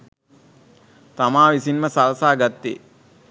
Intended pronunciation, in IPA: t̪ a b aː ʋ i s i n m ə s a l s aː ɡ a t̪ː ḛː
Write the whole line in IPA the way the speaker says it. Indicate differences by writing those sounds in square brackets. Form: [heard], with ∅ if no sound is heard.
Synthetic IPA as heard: t̪ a [m] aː ʋ i s i n m ə s a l s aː ɡ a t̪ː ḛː